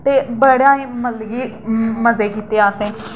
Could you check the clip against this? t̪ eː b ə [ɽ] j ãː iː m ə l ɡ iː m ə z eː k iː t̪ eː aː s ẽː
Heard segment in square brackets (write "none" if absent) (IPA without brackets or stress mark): ɽ